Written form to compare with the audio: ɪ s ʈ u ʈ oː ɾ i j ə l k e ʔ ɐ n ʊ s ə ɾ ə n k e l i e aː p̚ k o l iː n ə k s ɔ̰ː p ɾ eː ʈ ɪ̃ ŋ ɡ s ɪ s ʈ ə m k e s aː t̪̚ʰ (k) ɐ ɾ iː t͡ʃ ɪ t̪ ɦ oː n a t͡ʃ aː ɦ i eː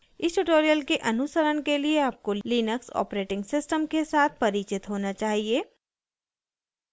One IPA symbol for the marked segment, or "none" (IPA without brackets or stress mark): p